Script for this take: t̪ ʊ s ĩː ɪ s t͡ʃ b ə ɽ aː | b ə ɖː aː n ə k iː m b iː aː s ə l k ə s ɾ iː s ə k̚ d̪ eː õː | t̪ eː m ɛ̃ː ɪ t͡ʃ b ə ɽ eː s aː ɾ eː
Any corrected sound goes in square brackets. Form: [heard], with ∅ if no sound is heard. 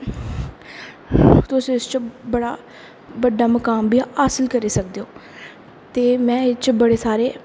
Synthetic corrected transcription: t̪ ʊ s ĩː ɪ s t͡ʃ b ə ɽ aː | b ə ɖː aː [m] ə k [aː] m b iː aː s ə l k ə [∅] ɾ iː s ə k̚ d̪ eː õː | t̪ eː m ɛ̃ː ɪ t͡ʃ b ə ɽ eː s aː ɾ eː

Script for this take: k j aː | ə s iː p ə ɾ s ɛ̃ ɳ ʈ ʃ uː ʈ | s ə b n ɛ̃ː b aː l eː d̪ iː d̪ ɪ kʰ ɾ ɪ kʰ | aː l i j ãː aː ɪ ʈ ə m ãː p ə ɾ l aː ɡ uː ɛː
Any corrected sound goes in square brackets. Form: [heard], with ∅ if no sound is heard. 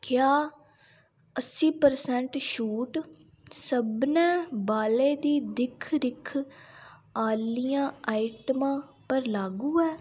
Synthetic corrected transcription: k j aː | ə s iː p ə ɾ s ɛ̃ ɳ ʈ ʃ uː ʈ | s ə b n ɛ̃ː b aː l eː d̪ iː d̪ ɪ kʰ ɾ ɪ kʰ | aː l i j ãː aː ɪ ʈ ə m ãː p ə ɾ l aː ɡ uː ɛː

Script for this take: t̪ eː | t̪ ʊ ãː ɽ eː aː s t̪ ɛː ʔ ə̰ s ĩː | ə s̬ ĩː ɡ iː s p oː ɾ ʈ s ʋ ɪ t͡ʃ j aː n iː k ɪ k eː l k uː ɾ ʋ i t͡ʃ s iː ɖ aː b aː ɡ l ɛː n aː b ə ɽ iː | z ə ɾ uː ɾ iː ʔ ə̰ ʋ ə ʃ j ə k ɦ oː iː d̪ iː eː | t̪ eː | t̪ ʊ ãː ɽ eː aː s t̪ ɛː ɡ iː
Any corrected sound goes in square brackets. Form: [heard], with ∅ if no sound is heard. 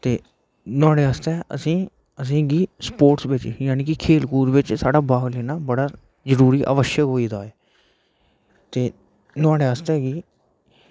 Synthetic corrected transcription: t̪ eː | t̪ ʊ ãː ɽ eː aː s t̪ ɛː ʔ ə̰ s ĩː | ə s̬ ĩː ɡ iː s p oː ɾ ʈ s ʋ ɪ t͡ʃ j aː n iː k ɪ [kʰ] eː l k uː ɾ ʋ [ɪ] t͡ʃ s [aː] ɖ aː b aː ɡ l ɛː n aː b ə ɽ [aː] | z ə ɾ uː ɾ iː ʔ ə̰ ʋ ə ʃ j ə k ɦ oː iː d̪ [aː] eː | t̪ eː | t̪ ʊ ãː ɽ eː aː s t̪ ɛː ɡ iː

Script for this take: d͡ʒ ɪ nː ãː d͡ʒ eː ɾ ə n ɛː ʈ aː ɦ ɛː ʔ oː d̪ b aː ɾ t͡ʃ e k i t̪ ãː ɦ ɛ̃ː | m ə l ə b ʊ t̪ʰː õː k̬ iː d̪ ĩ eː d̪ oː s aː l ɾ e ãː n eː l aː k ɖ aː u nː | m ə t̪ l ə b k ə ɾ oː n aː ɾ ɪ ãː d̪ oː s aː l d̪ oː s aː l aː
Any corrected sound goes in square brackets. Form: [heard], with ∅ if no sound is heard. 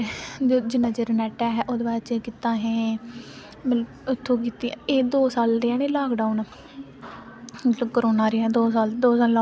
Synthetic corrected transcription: d͡ʒ ɪ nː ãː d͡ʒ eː ɾ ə n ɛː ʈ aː ɦ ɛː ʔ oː d̪ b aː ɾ t͡ʃ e k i t̪ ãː ɦ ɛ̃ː | m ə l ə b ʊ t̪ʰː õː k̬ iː [t̪] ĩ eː d̪ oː s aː l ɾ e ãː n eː l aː k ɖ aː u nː | m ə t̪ l ə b k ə ɾ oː n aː ɾ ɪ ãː d̪ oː s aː l d̪ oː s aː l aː

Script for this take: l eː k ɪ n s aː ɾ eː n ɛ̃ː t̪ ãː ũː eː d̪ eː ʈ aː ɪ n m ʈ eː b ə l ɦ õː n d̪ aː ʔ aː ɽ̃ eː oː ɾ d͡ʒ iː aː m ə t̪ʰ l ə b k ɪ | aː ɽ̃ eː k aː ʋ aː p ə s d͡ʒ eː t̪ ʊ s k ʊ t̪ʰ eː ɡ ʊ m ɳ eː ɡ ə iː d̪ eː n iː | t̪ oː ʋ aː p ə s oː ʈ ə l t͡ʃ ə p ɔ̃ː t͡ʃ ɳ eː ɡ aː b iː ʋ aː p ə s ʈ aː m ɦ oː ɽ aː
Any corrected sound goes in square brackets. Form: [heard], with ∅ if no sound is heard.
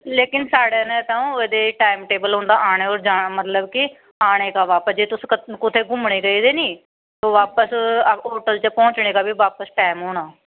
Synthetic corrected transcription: l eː k ɪ n s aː [ɽ] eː n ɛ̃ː t̪ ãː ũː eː d̪ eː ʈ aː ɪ [∅] m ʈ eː b ə l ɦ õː n d̪ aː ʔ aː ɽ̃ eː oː ɾ d͡ʒ [aː] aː m ə [t̪] l ə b k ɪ | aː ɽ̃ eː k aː ʋ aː p ə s d͡ʒ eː t̪ ʊ s k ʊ t̪ʰ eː ɡ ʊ m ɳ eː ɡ ə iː d̪ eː n iː | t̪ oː ʋ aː p ə s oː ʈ ə l t͡ʃ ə p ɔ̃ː t͡ʃ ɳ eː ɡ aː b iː ʋ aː p ə s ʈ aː m ɦ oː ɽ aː

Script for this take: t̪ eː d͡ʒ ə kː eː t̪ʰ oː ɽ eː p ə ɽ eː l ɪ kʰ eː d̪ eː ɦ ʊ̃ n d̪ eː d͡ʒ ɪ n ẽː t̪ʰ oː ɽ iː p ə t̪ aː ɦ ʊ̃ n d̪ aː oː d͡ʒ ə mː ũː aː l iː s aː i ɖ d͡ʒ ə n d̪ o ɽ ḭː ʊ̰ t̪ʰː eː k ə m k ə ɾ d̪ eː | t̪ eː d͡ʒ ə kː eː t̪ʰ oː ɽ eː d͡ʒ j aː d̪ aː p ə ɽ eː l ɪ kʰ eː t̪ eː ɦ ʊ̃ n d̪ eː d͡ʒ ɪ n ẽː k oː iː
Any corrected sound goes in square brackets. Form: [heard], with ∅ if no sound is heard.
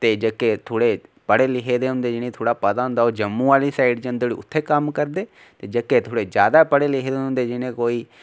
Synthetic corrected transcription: t̪ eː d͡ʒ ə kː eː t̪ʰ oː ɽ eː p ə ɽ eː l ɪ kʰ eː d̪ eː ɦ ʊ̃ n d̪ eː d͡ʒ ɪ n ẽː t̪ʰ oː ɽ [aː] p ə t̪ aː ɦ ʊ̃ n d̪ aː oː d͡ʒ ə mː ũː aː l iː s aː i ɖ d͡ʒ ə n d̪ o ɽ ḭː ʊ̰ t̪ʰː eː k ə m k ə ɾ d̪ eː | t̪ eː d͡ʒ ə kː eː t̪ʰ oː ɽ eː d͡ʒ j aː d̪ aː p ə ɽ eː l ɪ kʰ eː [d̪] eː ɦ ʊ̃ n d̪ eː d͡ʒ ɪ n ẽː k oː iː

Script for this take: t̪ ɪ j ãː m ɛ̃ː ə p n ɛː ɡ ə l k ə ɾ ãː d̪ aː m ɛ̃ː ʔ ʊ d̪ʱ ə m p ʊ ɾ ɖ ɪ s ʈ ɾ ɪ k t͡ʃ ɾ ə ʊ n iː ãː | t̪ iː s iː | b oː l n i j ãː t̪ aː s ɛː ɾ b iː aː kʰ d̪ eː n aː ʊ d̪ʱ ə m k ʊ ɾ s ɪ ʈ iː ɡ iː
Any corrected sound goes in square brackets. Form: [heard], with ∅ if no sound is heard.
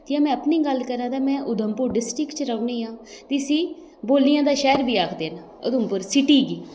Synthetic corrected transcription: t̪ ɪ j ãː m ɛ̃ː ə p n [iː] ɡ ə l k ə ɾ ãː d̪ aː m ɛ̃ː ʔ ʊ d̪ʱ ə m p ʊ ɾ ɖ ɪ s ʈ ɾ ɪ k t͡ʃ ɾ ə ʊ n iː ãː | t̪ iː s iː | b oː l n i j ãː [d̪] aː [ʃ] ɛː ɾ b iː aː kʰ d̪ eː n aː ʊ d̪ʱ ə m [p] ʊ ɾ s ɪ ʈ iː ɡ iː

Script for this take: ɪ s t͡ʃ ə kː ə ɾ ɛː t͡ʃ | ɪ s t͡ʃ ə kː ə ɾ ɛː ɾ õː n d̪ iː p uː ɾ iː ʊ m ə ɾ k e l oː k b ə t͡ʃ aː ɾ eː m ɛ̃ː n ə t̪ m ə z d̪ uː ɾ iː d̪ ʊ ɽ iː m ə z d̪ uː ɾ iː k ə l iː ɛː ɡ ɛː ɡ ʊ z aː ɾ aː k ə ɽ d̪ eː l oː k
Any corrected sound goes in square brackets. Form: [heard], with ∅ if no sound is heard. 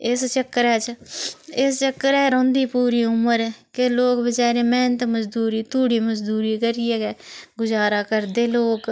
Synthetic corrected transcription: ɪ s t͡ʃ ə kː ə ɾ ɛː t͡ʃ | ɪ s t͡ʃ ə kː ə ɾ ɛː ɾ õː n d̪ iː p uː ɾ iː ʊ m ə ɾ k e l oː k b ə t͡ʃ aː ɾ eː m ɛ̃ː n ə t̪ m ə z d̪ uː ɾ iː [t̪] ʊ ɽ iː m ə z d̪ uː ɾ iː k ə [ɾ] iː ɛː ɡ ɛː ɡ ʊ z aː ɾ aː k ə [ɾ] d̪ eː l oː k

